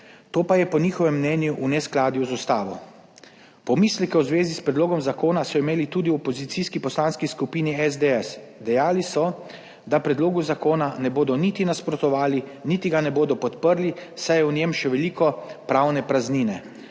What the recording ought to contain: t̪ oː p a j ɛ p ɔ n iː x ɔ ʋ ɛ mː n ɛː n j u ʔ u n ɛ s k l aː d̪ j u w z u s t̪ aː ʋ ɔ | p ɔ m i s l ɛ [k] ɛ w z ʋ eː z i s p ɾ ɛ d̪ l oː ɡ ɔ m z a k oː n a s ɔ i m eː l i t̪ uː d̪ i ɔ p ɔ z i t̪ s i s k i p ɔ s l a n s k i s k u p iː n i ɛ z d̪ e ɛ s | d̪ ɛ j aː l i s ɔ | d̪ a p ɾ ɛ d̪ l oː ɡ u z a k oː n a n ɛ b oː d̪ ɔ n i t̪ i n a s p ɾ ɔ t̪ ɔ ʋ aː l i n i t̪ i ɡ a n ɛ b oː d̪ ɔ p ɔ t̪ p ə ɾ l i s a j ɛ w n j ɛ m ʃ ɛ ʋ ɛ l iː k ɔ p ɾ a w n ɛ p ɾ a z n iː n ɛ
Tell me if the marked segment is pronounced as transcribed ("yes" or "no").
yes